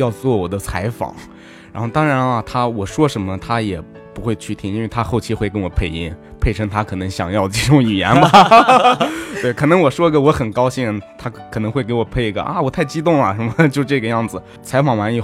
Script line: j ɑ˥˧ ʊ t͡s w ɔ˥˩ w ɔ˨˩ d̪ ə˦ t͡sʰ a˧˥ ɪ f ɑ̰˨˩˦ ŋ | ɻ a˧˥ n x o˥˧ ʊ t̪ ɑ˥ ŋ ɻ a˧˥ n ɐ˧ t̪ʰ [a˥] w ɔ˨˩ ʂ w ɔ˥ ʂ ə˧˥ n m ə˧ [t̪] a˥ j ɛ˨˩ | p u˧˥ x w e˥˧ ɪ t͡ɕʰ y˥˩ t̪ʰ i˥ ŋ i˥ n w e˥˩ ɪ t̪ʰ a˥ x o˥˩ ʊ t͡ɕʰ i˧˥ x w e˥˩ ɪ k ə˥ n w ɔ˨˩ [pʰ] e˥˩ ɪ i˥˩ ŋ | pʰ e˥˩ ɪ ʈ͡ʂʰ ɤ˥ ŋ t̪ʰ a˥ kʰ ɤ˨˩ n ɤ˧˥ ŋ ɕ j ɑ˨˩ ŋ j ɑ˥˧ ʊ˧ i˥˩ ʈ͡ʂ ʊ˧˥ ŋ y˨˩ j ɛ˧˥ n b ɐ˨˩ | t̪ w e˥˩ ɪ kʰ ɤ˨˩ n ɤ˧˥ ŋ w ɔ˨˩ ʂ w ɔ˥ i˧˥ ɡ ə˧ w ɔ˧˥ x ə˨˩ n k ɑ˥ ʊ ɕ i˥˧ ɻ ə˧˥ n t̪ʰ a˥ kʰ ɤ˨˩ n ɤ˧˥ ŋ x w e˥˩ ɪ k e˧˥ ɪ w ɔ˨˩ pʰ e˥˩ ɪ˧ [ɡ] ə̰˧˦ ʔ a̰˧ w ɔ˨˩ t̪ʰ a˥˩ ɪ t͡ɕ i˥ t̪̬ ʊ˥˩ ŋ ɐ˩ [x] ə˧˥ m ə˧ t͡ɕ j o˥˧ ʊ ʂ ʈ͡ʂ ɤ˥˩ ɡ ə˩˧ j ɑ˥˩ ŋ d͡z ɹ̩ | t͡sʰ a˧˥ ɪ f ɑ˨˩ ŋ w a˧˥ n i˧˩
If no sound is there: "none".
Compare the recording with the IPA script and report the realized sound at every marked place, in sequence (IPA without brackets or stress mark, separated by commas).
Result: a˥, t̪ʰ, pʰ, ɡ, ʂ